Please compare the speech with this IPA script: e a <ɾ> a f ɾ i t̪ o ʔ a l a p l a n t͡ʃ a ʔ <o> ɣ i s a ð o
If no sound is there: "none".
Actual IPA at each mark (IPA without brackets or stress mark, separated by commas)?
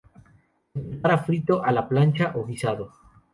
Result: ɾ, o